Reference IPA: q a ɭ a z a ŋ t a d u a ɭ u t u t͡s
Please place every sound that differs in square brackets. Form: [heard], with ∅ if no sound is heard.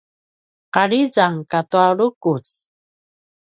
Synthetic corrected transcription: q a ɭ [i] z a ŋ [k] a [t] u a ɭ u [k] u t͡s